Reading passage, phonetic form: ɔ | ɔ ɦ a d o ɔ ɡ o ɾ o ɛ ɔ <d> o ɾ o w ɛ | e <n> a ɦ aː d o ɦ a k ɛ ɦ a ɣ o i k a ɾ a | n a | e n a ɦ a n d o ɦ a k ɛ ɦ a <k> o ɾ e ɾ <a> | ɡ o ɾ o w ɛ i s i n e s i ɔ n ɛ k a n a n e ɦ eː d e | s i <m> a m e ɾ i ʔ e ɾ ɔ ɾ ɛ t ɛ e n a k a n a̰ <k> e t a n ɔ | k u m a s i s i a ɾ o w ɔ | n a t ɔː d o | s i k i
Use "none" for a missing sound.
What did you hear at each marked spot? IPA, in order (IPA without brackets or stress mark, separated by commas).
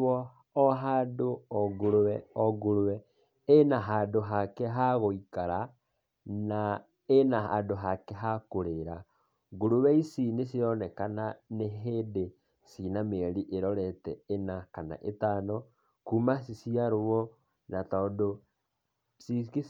ɡ, n, k, a, n, ʔ